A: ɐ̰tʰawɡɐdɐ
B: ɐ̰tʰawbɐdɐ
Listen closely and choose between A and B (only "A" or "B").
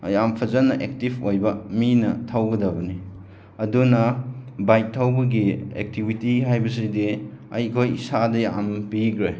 A